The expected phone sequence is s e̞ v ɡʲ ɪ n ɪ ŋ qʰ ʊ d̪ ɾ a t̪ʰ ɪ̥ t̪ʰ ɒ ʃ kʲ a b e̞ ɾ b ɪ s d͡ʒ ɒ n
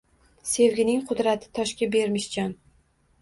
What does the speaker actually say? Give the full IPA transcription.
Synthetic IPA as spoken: s e̞ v ɡʲ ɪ n ɪ ŋ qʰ ʊ d̪ ɾ a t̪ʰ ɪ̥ t̪ʰ ɒ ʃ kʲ a b e̞ ɾ m ɪ ʃ d͡ʒ ɒ n